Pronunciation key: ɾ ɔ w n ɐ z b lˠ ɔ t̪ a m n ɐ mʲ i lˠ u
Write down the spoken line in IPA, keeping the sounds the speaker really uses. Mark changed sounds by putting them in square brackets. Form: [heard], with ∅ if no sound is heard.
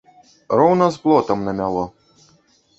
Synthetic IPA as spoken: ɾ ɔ w n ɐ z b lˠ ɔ t̪ [ɐ] m n ɐ mʲ [a] lˠ [ɔ]